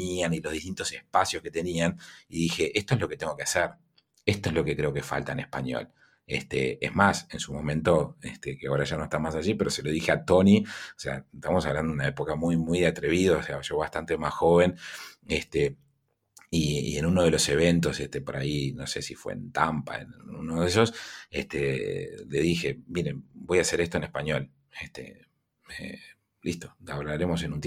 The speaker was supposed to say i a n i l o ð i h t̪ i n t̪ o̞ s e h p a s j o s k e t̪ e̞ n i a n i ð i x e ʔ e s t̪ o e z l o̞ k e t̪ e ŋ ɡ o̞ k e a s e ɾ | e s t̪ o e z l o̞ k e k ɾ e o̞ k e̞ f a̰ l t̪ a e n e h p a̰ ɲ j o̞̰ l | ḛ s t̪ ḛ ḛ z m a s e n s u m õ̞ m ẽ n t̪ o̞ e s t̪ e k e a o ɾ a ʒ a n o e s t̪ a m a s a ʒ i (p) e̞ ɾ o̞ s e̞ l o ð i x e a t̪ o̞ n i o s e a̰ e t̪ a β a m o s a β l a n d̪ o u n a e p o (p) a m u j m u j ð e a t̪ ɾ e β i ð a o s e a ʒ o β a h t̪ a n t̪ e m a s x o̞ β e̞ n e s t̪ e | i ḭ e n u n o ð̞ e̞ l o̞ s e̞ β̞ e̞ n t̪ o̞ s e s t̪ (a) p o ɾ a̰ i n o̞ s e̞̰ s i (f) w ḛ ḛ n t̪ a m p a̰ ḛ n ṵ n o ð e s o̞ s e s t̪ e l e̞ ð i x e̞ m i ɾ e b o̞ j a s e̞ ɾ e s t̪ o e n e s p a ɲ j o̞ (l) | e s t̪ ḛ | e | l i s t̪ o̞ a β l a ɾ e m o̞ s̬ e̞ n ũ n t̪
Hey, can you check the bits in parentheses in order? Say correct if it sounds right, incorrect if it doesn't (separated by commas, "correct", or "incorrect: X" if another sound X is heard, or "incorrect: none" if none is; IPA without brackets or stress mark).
correct, incorrect: k, incorrect: e, correct, correct